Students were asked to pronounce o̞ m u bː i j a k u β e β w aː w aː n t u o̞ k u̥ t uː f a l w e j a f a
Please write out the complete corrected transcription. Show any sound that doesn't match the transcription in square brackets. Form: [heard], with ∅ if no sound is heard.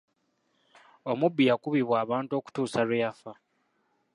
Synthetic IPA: o̞ m u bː i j a k u β [i] β w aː [β] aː n t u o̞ k u̥ t uː [s] a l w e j a f a